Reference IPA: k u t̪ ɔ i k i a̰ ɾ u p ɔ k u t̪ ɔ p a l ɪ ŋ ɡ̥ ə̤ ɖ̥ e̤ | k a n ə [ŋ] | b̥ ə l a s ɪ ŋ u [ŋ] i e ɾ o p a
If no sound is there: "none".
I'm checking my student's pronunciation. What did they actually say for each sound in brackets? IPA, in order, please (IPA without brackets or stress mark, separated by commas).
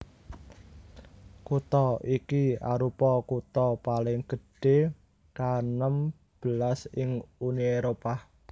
m, n